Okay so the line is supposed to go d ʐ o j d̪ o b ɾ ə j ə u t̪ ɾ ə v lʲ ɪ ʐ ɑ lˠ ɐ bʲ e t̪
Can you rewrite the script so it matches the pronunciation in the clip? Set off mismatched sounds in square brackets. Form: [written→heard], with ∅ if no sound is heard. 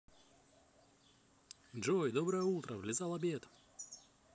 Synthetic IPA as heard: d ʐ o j d̪ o b ɾ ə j ə u t̪ ɾ ə v lʲ ɪ [ʐ→z] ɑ lˠ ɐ bʲ e t̪